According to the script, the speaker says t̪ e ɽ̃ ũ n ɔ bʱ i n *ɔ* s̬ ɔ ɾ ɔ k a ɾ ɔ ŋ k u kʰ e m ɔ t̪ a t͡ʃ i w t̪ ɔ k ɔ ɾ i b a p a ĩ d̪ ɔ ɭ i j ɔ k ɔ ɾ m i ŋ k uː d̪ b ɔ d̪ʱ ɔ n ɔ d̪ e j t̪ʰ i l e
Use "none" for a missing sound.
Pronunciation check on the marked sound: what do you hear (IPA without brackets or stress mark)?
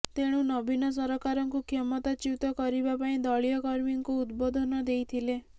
ɔ